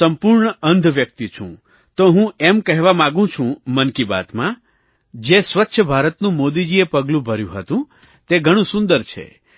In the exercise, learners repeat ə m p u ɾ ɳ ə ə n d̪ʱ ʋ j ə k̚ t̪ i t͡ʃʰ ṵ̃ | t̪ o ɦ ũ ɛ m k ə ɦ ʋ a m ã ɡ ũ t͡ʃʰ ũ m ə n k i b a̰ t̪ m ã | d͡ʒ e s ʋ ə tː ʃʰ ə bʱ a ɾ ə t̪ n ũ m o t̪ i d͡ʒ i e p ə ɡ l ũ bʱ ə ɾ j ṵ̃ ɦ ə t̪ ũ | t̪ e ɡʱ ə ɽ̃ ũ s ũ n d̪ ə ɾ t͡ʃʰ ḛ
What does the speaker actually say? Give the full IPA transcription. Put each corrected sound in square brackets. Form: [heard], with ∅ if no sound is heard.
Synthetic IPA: ə m p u ɾ ɳ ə ə n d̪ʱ ʋ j ə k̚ t̪ i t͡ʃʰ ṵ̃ | t̪ o ɦ ũ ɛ m k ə ɦ ʋ a m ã ɡ ũ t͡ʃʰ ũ m ə n k i b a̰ t̪ m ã | d͡ʒ e s ʋ ə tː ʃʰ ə bʱ a ɾ ə t̪ n ũ m o [d̪] i d͡ʒ i e p ə ɡ l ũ bʱ ə ɾ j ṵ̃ ɦ ə t̪ ũ | t̪ e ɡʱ ə ɽ̃ ũ s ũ n d̪ ə ɾ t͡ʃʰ ḛ

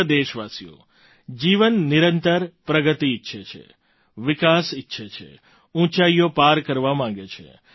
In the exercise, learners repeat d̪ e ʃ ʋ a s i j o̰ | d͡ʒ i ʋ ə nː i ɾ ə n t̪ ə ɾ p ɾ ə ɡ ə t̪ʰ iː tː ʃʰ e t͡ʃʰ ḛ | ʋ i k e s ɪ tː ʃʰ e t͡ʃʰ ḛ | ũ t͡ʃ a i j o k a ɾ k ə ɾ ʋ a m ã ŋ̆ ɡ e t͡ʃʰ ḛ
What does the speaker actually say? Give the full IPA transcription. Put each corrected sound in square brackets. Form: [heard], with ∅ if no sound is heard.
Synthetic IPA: d̪ e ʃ ʋ a s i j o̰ | d͡ʒ i ʋ ə nː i ɾ ə n t̪ ə ɾ p ɾ ə ɡ ə [t̪] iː tː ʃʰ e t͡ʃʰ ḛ | ʋ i k [a] s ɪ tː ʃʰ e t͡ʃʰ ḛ | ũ t͡ʃ a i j o [p] a ɾ k ə ɾ ʋ a m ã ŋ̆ ɡ e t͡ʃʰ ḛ

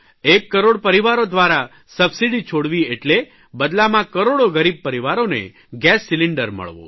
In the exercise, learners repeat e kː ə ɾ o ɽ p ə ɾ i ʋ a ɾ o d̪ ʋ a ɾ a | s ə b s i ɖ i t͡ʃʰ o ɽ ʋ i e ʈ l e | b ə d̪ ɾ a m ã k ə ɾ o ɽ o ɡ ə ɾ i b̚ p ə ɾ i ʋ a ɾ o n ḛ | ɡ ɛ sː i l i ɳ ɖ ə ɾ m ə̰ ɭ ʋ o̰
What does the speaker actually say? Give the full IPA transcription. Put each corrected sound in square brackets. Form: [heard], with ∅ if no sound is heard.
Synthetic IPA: e kː ə ɾ o ɽ p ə ɾ i ʋ a ɾ o d̪ ʋ a ɾ a | s ə b s i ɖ i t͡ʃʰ o ɽ ʋ i e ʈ l e | b ə d̪ [l] a m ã k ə ɾ o ɽ o ɡ ə ɾ i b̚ p ə ɾ i ʋ a ɾ o n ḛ | ɡ ɛ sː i l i ɳ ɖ ə ɾ m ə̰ ɭ ʋ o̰

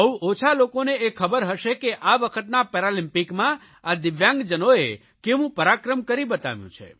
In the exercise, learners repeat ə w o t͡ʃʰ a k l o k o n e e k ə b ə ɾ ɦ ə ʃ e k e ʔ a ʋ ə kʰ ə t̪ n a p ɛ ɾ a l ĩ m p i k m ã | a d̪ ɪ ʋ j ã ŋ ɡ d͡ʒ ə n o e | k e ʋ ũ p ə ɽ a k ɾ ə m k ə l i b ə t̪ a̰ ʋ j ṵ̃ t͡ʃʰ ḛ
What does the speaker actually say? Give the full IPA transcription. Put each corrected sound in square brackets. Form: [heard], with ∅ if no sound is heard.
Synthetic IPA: ə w o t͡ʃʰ a [∅] l o k o n e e [kʰ] ə b ə ɾ ɦ ə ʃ e k e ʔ a ʋ ə kʰ ə t̪ n a p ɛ ɾ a l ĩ m p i k m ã | a d̪ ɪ ʋ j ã ŋ ɡ d͡ʒ ə n o e | k e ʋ ũ p ə [ɾ] a k ɾ ə m k ə [ɾ] i b ə t̪ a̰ ʋ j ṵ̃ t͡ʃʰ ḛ

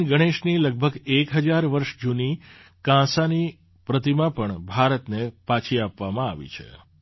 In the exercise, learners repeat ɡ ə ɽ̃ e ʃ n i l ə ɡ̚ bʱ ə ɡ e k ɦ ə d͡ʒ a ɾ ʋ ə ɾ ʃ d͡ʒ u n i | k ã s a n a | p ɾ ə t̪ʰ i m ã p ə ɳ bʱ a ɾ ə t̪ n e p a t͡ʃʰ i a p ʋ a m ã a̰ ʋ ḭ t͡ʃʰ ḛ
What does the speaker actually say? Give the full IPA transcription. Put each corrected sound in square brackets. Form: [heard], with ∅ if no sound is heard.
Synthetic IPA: ɡ ə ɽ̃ e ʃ n i l ə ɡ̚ bʱ ə ɡ e k ɦ ə d͡ʒ a ɾ ʋ ə ɾ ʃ d͡ʒ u n i | k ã s a n [i] | p ɾ ə [t̪] i m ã p ə ɳ bʱ a ɾ ə t̪ n e p a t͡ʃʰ i a p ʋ a m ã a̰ ʋ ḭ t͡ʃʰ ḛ

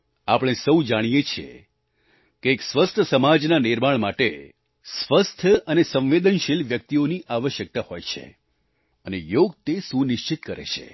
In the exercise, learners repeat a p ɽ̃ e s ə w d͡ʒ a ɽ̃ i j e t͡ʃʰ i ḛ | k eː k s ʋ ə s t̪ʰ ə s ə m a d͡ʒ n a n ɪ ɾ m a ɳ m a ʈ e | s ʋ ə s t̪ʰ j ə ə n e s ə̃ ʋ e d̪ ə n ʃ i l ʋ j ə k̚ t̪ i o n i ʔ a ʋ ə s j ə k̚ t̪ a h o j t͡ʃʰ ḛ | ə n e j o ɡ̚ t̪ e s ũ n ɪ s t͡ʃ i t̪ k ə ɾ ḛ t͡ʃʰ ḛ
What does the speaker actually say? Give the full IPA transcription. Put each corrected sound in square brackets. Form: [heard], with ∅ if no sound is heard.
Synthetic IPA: a p ɽ̃ e s ə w d͡ʒ a ɽ̃ i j e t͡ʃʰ i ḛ | k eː k s ʋ ə s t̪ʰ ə s ə m a d͡ʒ n a n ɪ ɾ m a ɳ m a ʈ e | s ʋ ə s t̪ʰ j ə ə n e s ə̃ ʋ e d̪ ə n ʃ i l ʋ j ə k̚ t̪ i o n i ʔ a ʋ ə [ʃ] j ə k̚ t̪ a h o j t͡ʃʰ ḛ | ə n e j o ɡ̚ t̪ e s ũ n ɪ [ʃ] t͡ʃ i t̪ k ə ɾ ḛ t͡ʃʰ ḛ

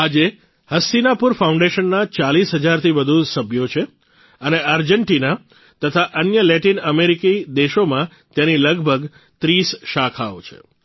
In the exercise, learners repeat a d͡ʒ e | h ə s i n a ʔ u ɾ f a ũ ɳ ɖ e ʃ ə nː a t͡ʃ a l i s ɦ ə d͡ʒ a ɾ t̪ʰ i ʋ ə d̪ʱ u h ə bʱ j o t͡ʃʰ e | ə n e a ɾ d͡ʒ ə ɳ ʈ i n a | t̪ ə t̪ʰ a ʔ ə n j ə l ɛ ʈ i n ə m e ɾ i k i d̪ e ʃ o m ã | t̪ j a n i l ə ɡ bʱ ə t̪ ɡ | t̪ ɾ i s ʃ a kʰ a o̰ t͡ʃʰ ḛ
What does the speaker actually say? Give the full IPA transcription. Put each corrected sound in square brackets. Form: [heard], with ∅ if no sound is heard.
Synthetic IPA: a d͡ʒ e | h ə s i n a [p] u ɾ f a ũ ɳ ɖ e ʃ ə nː a t͡ʃ a l i s ɦ ə d͡ʒ a ɾ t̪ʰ i ʋ ə d̪ʱ u [s] ə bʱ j o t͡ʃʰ e | ə n e a ɾ d͡ʒ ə ɳ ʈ i n a | t̪ ə t̪ʰ a ʔ ə n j ə l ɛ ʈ i n ə m e ɾ i k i d̪ e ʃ o m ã | t̪ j a n i l ə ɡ bʱ ə [∅] ɡ | t̪ ɾ i s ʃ a kʰ a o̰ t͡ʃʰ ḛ

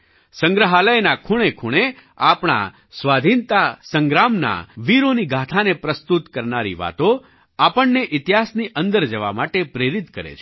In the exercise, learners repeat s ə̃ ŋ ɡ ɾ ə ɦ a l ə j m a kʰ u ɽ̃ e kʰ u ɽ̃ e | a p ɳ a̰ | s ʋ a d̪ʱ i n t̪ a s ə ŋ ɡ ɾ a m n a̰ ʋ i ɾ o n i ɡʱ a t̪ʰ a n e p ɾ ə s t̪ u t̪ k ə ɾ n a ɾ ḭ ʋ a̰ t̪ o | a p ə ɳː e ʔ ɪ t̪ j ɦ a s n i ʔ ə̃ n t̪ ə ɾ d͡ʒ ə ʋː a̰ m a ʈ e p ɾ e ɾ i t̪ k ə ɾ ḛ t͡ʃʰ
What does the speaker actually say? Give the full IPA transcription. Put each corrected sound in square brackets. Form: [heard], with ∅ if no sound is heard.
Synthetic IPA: s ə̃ ŋ ɡ ɾ ə ɦ a l ə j [n] a kʰ u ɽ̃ e kʰ u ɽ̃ e | a p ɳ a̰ | s ʋ a d̪ʱ i n t̪ a s ə ŋ ɡ ɾ a m n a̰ ʋ i ɾ o n i ɡʱ a t̪ʰ a n e p ɾ ə s t̪ u t̪ k ə ɾ n a ɾ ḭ ʋ a̰ t̪ o | a p ə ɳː e ʔ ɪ t̪ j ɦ a s n i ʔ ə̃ n [d̪] ə ɾ d͡ʒ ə [ʋ] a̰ m a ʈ e p ɾ e ɾ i t̪ k ə ɾ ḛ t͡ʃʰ

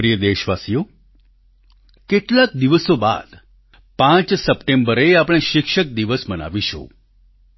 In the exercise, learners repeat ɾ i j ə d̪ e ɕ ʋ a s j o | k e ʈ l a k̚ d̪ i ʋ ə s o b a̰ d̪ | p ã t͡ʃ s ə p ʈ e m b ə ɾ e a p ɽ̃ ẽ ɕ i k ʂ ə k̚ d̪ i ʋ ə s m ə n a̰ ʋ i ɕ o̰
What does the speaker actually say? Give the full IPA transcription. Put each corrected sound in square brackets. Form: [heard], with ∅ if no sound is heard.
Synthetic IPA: ɾ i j ə d̪ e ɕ ʋ a s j o | k e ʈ l a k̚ d̪ i ʋ ə s o b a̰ d̪ | p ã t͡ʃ s ə p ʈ e m b ə ɾ e a p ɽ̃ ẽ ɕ i k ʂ ə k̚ d̪ i ʋ ə s m ə n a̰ ʋ i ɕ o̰

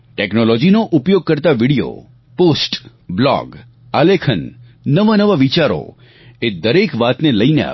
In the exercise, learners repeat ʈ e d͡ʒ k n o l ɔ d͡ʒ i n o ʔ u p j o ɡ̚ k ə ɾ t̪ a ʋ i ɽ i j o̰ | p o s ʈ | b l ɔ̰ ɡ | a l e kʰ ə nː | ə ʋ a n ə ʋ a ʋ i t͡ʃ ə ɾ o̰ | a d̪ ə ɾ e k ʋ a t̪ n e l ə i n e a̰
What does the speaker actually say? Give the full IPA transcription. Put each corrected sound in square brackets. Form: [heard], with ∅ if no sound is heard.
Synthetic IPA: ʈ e [∅] k n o l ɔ d͡ʒ i n o ʔ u p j o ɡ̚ k ə ɾ t̪ a ʋ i ɽ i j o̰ | p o s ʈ | b l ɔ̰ ɡ | a l e kʰ ə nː | ə ʋ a n ə ʋ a ʋ i t͡ʃ [a] ɾ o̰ | [e] d̪ ə ɾ e k ʋ a t̪ n e l ə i n e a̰

